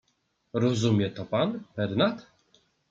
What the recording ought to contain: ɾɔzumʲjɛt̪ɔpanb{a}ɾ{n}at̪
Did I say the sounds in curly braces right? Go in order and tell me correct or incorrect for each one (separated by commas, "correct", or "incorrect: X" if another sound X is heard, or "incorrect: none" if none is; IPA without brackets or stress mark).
incorrect: ɛ, correct